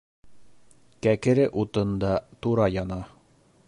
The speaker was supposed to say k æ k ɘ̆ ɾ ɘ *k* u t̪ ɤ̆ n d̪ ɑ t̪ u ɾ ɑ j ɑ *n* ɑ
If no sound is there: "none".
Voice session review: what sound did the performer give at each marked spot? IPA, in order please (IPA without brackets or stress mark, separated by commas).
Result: ʔ, n